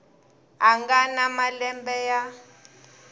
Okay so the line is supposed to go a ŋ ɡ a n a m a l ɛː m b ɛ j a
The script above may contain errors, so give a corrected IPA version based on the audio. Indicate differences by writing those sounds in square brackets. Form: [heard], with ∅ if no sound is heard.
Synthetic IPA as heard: a ŋ ɡ a n a m a l [ɛ] m b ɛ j a